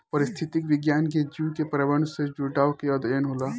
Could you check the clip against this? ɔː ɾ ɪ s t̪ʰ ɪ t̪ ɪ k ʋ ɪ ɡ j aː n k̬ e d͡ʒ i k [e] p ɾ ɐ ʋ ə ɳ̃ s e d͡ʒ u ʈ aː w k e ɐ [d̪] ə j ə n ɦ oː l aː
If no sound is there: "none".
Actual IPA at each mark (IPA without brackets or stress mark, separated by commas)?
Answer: e, d̪